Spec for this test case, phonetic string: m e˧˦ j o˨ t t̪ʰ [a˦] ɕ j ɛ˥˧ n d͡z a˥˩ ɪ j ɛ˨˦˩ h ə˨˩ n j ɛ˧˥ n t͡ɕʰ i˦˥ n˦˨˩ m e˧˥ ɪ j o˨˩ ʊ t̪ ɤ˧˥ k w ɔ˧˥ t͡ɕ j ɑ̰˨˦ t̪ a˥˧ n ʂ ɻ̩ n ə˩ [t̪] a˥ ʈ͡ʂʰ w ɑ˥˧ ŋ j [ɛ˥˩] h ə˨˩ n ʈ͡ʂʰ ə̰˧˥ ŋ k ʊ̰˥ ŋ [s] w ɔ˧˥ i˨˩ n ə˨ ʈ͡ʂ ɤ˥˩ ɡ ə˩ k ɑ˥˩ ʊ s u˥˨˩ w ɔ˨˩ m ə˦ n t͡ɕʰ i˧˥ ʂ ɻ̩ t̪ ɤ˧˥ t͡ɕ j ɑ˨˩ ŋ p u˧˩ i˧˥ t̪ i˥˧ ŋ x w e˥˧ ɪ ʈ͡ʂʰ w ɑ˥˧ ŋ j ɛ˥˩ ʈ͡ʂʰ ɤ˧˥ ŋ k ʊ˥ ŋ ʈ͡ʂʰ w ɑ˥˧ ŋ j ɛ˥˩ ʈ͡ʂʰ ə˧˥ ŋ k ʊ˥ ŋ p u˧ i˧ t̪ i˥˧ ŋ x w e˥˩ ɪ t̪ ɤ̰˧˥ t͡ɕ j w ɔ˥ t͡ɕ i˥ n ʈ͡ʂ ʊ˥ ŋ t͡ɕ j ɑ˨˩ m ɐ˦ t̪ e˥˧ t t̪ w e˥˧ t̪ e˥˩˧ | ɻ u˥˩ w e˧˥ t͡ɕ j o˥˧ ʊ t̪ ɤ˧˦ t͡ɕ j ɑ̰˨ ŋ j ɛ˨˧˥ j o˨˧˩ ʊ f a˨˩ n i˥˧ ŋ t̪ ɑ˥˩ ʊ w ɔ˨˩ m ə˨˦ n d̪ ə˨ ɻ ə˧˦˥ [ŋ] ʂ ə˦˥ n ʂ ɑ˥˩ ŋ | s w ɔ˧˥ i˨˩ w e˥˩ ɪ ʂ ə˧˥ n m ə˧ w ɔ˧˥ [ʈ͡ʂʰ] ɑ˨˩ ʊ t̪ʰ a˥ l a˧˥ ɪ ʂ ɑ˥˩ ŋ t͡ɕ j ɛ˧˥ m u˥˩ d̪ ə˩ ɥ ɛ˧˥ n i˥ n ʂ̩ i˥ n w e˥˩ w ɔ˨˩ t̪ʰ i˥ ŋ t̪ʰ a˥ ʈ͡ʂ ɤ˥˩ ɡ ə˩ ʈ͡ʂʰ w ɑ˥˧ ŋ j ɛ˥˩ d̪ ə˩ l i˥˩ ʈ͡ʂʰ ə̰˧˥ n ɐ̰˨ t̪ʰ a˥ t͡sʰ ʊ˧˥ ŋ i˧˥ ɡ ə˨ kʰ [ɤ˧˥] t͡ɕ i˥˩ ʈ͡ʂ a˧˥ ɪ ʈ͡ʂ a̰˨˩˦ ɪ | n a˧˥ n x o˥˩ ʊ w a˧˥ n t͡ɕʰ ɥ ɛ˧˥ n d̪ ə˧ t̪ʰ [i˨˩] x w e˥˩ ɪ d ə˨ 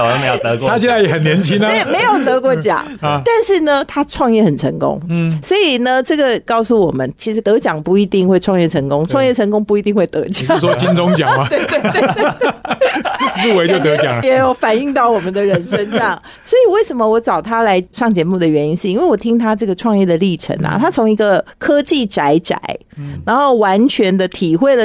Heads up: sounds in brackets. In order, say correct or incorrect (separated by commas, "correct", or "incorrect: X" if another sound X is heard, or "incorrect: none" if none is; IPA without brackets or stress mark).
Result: correct, incorrect: t̪ʰ, correct, correct, incorrect: n, incorrect: ʈ͡ʂ, incorrect: ɤ˥, correct